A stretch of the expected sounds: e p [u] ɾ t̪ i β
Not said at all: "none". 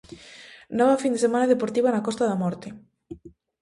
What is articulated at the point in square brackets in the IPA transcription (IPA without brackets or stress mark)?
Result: o